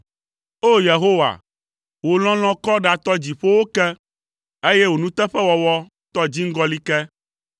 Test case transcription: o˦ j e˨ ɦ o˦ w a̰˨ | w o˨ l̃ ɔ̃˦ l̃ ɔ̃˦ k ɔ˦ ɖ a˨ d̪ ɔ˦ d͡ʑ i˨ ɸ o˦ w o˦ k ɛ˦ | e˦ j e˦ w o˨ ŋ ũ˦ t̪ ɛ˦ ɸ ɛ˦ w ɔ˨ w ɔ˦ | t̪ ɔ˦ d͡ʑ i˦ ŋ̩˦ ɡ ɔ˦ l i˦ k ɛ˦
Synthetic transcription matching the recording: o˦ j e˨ ɦ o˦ w a̰˨ | w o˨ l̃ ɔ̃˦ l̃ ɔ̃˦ k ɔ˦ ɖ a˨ t̪ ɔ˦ d͡ʑ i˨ ɸ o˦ w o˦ k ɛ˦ | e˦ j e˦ w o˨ n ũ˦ t̪ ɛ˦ ɸ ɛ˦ w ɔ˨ w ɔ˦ | t̪ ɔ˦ d͡ʑ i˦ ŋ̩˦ ɡ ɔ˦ l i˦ k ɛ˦